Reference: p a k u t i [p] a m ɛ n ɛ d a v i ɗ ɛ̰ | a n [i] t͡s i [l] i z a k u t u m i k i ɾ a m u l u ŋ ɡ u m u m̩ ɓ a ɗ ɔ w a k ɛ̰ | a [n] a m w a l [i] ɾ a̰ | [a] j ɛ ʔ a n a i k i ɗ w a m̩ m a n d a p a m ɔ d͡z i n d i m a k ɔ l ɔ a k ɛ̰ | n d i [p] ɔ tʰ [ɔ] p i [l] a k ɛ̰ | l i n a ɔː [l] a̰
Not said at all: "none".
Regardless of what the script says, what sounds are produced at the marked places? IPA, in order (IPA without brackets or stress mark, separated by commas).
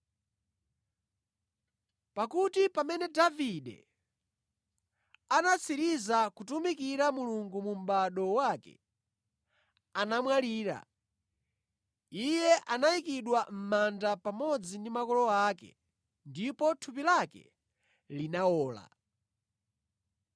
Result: p, a, ɾ, n, iː, i, p, u, l, l